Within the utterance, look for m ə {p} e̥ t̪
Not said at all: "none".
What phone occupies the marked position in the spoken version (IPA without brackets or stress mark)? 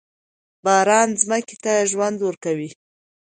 k